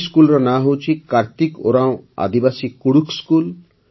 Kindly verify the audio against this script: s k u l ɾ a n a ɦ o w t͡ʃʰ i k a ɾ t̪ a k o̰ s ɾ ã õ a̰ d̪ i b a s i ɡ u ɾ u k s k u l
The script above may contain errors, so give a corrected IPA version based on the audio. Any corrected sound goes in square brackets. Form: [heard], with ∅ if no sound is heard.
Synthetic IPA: s k u l ɾ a n a ɦ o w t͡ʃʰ i k a ɾ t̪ [i] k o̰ [∅] ɾ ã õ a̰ d̪ i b a s i [k] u [ɽ] u k s k u l